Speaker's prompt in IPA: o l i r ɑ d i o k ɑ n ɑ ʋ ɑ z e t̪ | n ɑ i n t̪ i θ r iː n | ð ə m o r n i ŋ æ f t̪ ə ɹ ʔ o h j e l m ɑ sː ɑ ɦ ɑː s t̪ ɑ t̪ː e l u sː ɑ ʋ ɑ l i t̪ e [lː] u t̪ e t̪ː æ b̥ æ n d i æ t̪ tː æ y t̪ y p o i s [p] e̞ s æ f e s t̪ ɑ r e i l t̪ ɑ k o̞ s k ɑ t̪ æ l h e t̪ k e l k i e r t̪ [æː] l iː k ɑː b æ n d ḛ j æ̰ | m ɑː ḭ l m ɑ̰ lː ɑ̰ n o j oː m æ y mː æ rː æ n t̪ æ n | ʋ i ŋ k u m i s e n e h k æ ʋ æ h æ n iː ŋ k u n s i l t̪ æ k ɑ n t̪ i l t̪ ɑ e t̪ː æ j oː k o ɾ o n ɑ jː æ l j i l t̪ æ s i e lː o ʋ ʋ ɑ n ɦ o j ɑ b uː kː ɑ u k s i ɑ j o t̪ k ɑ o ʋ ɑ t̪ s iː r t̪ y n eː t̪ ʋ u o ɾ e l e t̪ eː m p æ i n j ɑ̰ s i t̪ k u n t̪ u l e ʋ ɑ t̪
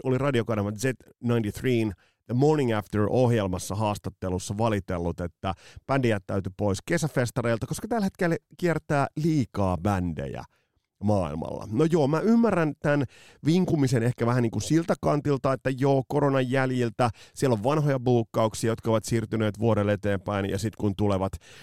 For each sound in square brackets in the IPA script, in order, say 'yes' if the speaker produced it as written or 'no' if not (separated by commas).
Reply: yes, no, yes